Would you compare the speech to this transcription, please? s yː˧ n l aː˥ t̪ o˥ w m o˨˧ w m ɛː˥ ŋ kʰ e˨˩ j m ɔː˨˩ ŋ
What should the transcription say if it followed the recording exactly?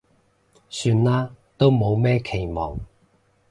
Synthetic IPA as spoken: s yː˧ n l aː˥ t̪ o˥ w m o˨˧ w m ɛː˥ kʰ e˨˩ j m ɔː˨˩ ŋ